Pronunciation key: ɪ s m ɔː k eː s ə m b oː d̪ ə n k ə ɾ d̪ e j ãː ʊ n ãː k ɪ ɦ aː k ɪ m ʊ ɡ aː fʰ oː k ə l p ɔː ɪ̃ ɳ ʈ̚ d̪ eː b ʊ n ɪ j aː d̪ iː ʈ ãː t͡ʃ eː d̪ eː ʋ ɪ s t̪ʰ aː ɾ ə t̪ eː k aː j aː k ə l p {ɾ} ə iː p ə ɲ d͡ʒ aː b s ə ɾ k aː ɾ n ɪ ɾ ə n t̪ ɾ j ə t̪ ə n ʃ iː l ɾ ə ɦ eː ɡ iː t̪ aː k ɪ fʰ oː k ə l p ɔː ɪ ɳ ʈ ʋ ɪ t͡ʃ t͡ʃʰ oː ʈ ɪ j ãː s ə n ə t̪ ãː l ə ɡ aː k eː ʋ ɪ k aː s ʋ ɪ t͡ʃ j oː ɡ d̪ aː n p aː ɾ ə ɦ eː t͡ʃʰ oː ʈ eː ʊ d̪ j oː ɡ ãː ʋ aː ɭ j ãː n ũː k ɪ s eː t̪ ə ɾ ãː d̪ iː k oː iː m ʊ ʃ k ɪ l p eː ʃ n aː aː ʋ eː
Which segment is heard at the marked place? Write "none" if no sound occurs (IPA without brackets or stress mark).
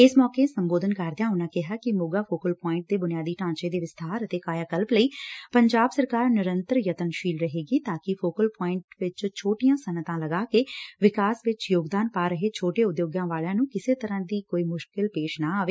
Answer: l